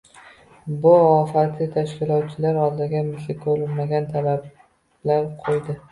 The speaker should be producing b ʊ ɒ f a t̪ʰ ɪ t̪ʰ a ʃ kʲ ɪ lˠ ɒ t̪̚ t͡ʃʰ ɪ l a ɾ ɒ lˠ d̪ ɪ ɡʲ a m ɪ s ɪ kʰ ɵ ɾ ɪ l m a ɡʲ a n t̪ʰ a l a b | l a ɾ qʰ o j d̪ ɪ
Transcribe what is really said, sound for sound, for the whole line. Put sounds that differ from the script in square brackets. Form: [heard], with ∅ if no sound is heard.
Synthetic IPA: b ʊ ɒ f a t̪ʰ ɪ t̪ʰ a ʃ kʲ ɪ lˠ ɒ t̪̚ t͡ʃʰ ɪ l a ɾ ɒ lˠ d̪ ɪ ɡʲ a m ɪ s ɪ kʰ ɵ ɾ ɪ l m a ɡʲ a n t̪ʰ a l a b | l a ɾ qʰ o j d̪ ɪ